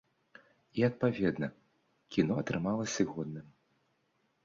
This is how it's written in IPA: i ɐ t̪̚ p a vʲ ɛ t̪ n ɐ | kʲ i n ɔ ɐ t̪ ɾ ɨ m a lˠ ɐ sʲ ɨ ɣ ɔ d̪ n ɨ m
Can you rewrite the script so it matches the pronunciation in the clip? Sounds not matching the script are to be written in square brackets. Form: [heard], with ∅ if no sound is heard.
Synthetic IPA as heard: i ɐ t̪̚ p a vʲ ɛ [d̪] n ɐ | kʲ i n ɔ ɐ t̪ ɾ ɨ m a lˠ ɐ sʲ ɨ ɣ ɔ d̪ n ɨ m

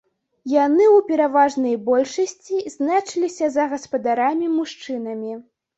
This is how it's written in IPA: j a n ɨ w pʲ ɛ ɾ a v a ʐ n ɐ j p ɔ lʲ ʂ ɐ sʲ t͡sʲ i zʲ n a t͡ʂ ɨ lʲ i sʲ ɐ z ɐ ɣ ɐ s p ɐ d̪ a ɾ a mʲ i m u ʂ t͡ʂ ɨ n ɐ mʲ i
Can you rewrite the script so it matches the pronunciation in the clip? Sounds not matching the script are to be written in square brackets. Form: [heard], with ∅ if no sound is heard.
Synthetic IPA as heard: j a n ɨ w pʲ ɛ ɾ a v a ʐ n ɐ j [b] ɔ lʲ ʂ ɐ sʲ t͡sʲ i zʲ n a t͡ʂ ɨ lʲ i sʲ ɐ z ɐ ɣ ɐ s p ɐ d̪ a ɾ a mʲ i m u ʂ t͡ʂ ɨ n ɐ mʲ i

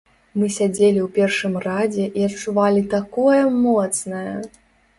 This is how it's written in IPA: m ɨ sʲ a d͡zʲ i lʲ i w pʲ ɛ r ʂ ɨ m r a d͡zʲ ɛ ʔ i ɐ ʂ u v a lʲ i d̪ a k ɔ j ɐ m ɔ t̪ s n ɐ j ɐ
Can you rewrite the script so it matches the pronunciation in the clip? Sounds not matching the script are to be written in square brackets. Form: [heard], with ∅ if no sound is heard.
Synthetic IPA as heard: m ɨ sʲ a d͡zʲ [e] lʲ i w pʲ ɛ r ʂ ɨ m r a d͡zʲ ɛ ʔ i ɐ [t͡ʂ] u v a lʲ i [t̪] a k ɔ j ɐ m ɔ t̪ s n ɐ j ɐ

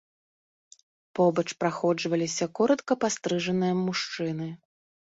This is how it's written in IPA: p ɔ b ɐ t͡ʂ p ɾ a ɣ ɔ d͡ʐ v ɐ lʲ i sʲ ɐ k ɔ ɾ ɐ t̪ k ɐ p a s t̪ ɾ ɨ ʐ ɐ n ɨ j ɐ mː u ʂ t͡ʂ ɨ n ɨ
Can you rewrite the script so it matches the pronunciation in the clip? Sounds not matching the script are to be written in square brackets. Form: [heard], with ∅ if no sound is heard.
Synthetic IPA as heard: p ɔ b ɐ t͡ʂ p ɾ a [x] ɔ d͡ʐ v ɐ lʲ i sʲ ɐ k ɔ ɾ ɐ t̪ k ɐ p a s t̪ ɾ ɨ ʐ ɐ n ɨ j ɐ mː u ʂ t͡ʂ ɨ n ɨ

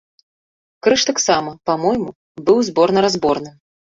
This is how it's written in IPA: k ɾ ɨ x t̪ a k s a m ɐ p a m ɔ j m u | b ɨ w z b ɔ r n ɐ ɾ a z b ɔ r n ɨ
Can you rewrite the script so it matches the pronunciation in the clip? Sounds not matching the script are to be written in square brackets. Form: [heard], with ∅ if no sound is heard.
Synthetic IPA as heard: k ɾ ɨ [ʂ] t̪ a k s a m ɐ p a m ɔ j m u | b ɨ w z b ɔ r n ɐ ɾ a z b ɔ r n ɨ

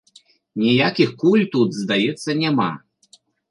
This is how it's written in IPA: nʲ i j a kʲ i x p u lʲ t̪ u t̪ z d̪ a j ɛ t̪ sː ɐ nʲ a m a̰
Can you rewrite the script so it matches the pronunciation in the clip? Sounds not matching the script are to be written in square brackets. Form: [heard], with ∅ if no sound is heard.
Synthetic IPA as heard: nʲ i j a kʲ i x [k] u lʲ t̪ u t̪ z d̪ a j ɛ t̪ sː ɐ nʲ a m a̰

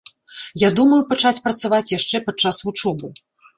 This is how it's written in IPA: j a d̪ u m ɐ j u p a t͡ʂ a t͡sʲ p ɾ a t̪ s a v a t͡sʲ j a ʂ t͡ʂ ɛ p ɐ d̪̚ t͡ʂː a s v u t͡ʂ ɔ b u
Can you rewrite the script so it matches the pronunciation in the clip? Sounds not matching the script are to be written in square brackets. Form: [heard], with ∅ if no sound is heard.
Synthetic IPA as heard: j a d̪ u m ɐ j u p a t͡ʂ a t͡sʲ p ɾ [ɐ] t̪ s a v a t͡sʲ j a ʂ t͡ʂ ɛ p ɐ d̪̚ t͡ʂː a s v u t͡ʂ ɔ b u

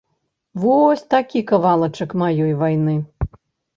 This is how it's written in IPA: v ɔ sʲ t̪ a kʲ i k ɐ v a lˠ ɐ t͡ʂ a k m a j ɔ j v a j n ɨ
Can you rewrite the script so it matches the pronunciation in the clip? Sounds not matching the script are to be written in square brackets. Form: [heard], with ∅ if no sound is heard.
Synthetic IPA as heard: v ɔ sʲ t̪ a kʲ i k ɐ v a lˠ ɐ t͡ʂ [ɐ] k m a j ɔ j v a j n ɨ

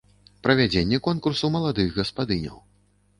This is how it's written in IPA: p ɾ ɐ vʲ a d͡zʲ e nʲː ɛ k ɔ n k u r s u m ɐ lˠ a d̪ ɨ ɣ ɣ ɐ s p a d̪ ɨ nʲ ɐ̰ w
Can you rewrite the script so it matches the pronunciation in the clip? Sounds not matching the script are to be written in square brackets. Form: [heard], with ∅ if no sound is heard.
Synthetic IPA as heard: p ɾ ɐ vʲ a d͡zʲ e nʲː ɛ k ɔ n k u r s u m ɐ lˠ a d̪ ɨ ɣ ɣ ɐ s p a d̪ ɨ nʲ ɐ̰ w

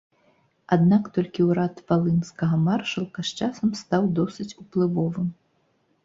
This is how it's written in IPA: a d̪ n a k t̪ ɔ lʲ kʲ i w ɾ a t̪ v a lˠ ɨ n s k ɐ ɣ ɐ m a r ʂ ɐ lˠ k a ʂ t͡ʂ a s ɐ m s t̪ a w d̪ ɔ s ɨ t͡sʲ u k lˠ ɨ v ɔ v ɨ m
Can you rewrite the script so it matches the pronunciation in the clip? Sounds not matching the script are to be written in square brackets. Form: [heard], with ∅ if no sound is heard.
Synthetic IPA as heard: a d̪ n a k t̪ ɔ lʲ kʲ i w ɾ a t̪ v a lˠ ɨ n s k ɐ ɣ ɐ m a r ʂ ɐ lˠ k [ɐ] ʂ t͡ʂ a s ɐ m s t̪ a w d̪ ɔ s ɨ t͡sʲ u [p] lˠ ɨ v ɔ v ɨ m

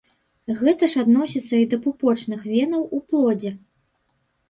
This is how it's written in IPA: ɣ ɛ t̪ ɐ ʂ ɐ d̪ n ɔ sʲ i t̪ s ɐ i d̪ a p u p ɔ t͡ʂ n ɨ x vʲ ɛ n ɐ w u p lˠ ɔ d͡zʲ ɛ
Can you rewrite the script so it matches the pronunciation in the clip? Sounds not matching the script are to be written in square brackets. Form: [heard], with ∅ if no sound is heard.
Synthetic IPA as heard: ɣ ɛ t̪ ɐ ʂ [a] d̪ n ɔ sʲ i t̪ [sː] ɐ i d̪ [ɐ] p u p ɔ t͡ʂ n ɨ x vʲ ɛ n ɐ w u p lˠ ɔ d͡zʲ ɛ

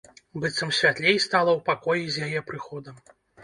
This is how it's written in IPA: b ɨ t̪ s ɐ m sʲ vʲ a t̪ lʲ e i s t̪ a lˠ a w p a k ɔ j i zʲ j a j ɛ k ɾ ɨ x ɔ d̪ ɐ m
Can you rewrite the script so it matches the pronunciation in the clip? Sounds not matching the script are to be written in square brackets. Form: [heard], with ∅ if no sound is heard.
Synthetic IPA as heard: b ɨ t̪ s ɐ m sʲ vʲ a t̪ lʲ e [j] s t̪ a lˠ [ɐ] w p a k ɔ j i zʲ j a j ɛ [p] ɾ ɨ x ɔ d̪ ɐ m

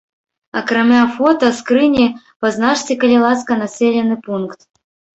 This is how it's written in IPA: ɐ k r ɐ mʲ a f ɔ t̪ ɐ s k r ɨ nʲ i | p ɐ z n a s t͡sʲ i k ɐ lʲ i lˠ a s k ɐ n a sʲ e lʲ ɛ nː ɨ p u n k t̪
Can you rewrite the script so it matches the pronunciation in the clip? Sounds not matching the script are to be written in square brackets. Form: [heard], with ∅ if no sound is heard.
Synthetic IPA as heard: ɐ k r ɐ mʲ a f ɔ t̪ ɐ s k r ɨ nʲ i | p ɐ z n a [ʂ] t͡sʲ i k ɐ lʲ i lˠ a s k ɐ n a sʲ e lʲ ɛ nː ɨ p u n k t̪

